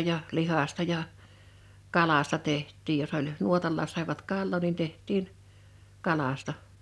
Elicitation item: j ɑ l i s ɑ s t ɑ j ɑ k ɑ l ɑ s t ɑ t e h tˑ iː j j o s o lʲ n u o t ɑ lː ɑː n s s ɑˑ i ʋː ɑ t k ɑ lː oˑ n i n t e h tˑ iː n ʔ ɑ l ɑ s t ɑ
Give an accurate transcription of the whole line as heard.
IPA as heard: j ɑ l i h ɑ s t ɑ j ɑ k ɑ l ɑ s t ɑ t e h tˑ iː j j o s o lʲ n u o t ɑ lː ɑː s s ɑˑ i ʋ ɑ t k ɑ lː oˑ n i n t e h tˑ iː n k ɑ l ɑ s t ɑ